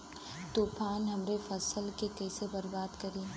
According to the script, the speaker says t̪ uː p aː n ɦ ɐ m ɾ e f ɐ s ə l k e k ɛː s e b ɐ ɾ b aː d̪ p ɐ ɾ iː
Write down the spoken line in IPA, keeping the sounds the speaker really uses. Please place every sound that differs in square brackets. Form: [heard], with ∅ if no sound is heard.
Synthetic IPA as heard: t̪ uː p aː n ɦ ɐ m ɾ e f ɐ s ə l k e k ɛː s e b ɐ ɾ b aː d̪ [k] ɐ ɾ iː